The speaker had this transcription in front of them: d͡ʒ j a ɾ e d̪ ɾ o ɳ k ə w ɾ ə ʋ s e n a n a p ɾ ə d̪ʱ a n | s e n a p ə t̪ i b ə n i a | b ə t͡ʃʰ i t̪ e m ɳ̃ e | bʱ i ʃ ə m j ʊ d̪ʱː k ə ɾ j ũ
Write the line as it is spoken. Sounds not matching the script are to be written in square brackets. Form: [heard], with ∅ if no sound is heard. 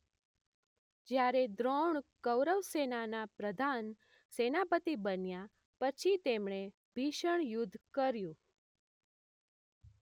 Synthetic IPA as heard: d͡ʒ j a ɾ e d̪ ɾ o ɳ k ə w ɾ ə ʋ s e n a n a p ɾ ə d̪ʱ a n | s e n a p ə t̪ i b ə n [j] a | [p] ə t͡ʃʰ i t̪ e m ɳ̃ e | bʱ i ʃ ə [ɳ] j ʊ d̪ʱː k ə ɾ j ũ